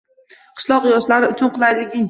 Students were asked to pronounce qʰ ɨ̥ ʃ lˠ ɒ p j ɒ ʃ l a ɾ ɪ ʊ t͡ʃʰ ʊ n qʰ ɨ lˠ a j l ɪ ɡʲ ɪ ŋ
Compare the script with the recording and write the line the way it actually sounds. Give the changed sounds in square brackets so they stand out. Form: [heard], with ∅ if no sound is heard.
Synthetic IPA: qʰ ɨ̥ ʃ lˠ ɒ [q] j ɒ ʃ l a ɾ ɪ ʊ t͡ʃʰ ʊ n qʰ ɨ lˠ a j l ɪ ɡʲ ɪ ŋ